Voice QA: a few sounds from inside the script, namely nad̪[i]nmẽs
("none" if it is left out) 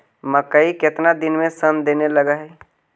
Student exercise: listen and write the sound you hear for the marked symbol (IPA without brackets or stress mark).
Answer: ɪ